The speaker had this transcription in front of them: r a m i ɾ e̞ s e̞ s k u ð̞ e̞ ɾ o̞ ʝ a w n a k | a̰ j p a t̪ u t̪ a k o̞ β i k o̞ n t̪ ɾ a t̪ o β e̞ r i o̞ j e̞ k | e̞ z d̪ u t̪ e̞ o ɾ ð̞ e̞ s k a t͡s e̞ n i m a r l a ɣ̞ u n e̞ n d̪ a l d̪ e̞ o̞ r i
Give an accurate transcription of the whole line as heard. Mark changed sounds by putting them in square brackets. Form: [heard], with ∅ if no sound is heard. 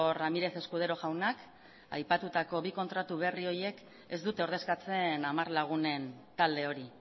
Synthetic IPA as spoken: r a m i ɾ e̞ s e̞ s k u ð̞ e̞ ɾ o̞ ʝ a w n a k | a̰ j p a t̪ u t̪ a k o̞ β i k o̞ n t̪ ɾ a t̪ [u] β e̞ r i o̞ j e̞ k | e̞ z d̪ u t̪ e̞ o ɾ ð̞ e̞ s k a t͡s e̞ n [a] m a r l a ɣ̞ u n e̞ n [t̪] a l d̪ e̞ o̞ [ɾ] i